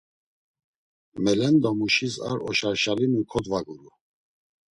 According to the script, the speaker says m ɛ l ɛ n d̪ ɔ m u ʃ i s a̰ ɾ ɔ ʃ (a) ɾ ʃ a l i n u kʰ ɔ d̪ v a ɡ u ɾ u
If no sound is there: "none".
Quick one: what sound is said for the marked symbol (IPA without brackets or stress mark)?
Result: a